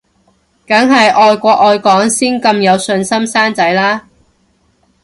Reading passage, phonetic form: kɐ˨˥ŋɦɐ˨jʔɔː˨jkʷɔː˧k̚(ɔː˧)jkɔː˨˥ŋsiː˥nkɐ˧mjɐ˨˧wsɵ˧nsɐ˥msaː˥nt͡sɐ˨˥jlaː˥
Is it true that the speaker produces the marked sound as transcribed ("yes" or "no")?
yes